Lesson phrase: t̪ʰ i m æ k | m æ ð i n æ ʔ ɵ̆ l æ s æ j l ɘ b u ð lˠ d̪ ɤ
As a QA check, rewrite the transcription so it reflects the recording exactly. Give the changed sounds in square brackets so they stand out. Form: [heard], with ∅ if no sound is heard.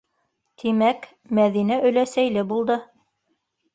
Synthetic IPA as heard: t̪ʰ i m æ k | m æ ð i n æ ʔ ɵ̆ l æ s æ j l ɘ b u [∅] lˠ d̪ ɤ